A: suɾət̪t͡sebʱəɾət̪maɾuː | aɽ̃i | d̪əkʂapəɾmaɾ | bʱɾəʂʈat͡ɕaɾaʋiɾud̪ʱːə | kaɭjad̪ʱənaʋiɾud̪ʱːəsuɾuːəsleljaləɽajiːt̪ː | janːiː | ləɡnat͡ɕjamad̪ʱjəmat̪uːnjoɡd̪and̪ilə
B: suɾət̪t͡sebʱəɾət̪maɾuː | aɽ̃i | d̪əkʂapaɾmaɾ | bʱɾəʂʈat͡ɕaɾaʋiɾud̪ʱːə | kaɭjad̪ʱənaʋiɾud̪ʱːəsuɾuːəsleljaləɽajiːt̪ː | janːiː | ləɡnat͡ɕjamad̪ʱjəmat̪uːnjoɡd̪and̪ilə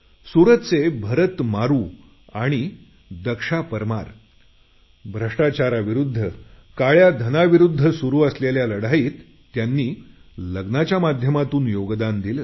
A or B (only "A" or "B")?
A